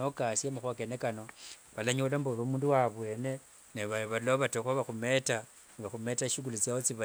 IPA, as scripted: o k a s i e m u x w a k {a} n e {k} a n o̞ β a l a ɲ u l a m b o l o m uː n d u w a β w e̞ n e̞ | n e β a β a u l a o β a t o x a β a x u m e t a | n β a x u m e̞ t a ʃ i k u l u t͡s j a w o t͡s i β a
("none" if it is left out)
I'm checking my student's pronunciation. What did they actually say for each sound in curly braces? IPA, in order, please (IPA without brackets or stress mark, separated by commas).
e, k